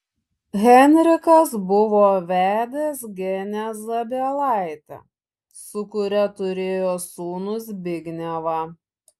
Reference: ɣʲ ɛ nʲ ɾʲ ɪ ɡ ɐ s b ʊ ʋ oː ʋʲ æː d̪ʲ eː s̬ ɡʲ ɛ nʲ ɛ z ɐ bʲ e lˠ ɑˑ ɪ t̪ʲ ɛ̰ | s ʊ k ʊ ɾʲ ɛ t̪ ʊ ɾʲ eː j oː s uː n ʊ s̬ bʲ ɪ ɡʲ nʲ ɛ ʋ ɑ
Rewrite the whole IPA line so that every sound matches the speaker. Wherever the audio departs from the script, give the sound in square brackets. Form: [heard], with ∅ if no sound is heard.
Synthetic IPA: ɣʲ ɛ nʲ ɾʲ ɪ [k] ɐ s b ʊ ʋ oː ʋʲ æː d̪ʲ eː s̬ ɡʲ ɛ nʲ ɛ z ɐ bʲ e lˠ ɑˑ ɪ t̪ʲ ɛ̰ | s ʊ k ʊ ɾʲ ɛ t̪ ʊ ɾʲ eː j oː s uː n ʊ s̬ bʲ ɪ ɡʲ nʲ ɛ ʋ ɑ